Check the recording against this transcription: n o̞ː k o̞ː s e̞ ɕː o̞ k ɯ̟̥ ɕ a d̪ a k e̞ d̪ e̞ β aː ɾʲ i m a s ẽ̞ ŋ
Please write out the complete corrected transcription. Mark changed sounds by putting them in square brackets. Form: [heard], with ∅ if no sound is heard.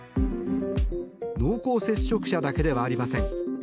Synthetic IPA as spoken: n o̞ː k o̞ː s e̞ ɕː o̞ k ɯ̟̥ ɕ a d̪ a k e̞ d̪ e̞ β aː ɾʲ i m a s ẽ̞ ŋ